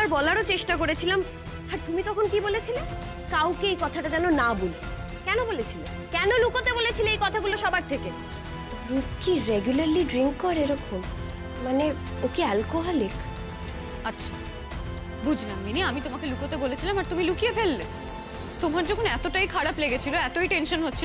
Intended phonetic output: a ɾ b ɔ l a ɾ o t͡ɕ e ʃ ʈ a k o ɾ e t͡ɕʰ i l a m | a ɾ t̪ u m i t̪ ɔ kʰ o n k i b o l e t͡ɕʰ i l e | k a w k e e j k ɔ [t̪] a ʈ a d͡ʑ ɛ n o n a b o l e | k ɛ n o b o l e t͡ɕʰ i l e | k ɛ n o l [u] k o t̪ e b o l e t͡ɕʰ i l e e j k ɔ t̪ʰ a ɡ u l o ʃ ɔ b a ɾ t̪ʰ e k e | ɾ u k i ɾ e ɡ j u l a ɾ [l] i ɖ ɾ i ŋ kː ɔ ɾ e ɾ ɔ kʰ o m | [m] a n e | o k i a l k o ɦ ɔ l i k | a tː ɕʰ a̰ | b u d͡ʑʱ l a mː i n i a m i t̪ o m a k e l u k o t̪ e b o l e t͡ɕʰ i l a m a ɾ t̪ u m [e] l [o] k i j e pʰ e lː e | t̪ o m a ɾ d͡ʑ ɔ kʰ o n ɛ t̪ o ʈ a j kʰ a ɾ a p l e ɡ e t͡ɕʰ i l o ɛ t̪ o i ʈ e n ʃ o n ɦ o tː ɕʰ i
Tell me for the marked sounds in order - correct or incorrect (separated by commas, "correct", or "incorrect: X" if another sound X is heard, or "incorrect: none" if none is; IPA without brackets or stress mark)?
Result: incorrect: t̪ʰ, correct, correct, correct, incorrect: i, incorrect: u